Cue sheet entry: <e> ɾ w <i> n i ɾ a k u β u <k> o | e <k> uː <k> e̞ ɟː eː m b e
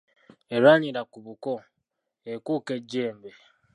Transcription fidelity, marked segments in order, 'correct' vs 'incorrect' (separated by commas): correct, incorrect, correct, correct, correct